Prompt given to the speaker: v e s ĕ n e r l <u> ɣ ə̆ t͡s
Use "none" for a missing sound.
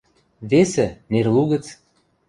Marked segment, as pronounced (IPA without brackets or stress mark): u